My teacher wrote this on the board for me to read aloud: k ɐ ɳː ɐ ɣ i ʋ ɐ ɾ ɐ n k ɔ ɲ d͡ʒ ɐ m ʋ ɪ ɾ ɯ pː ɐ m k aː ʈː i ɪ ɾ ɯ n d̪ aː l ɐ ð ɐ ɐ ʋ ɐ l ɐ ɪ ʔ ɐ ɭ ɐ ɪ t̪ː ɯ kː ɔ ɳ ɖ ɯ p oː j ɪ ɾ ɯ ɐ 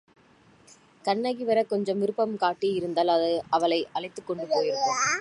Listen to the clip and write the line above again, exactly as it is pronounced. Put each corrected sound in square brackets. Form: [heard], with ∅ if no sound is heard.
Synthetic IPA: k ɐ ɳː ɐ ɣ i ʋ ɐ ɾ ɐ [∅] k ɔ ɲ d͡ʒ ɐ m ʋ ɪ ɾ ɯ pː ɐ m k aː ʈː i ɪ ɾ ɯ n d̪ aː l ɐ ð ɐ ɐ ʋ ɐ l ɐ ɪ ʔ ɐ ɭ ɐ ɪ t̪ː ɯ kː ɔ ɳ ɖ ɯ p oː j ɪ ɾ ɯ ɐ